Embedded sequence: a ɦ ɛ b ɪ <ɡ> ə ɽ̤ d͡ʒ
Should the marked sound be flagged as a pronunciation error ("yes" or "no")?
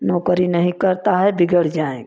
no